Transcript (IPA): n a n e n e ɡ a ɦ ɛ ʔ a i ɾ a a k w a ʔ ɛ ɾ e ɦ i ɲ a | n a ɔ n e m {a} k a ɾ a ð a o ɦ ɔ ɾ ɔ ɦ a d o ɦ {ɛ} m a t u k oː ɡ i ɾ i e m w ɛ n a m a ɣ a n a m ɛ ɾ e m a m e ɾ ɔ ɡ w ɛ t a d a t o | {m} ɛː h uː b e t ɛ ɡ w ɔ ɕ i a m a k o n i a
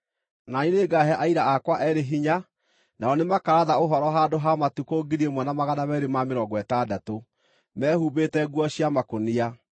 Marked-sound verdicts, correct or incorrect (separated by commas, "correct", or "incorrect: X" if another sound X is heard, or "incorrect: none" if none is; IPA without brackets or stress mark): correct, incorrect: a, correct